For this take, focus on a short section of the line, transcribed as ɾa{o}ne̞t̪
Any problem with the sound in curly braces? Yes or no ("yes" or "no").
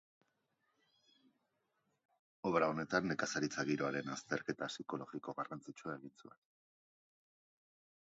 no